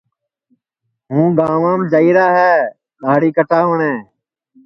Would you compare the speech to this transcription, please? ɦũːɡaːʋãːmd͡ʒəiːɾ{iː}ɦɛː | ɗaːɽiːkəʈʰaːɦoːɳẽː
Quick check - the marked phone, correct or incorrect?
incorrect